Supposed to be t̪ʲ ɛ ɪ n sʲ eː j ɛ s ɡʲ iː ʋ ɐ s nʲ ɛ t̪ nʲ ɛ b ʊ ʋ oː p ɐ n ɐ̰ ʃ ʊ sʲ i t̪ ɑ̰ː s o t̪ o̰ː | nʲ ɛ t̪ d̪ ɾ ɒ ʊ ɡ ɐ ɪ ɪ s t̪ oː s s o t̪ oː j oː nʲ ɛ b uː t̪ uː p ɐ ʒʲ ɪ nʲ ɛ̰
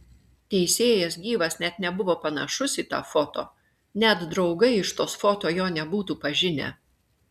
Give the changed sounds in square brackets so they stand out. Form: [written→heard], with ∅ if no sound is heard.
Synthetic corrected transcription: t̪ʲ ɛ ɪ [n→∅] sʲ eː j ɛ s ɡʲ iː ʋ ɐ s nʲ ɛ t̪ nʲ ɛ b ʊ ʋ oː p ɐ n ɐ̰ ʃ ʊ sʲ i t̪ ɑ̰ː [s→f] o t̪ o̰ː | nʲ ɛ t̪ d̪ ɾ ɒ ʊ ɡ ɐ ɪ ɪ [s→ʃ] t̪ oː s [s→f] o t̪ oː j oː nʲ ɛ b uː t̪ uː p ɐ ʒʲ ɪ nʲ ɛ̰